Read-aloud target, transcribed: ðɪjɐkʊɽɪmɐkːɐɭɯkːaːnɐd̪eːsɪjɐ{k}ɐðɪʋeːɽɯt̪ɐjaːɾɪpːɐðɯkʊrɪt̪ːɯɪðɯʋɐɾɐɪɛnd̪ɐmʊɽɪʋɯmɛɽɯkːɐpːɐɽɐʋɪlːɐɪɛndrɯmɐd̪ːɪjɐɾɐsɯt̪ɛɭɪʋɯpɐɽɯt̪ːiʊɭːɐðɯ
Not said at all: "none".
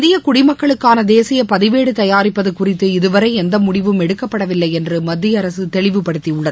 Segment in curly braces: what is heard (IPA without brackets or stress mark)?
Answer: p